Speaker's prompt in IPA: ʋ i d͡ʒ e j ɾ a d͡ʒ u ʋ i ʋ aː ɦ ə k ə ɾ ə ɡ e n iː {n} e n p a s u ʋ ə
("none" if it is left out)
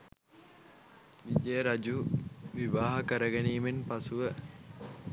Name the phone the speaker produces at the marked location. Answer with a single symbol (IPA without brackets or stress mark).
m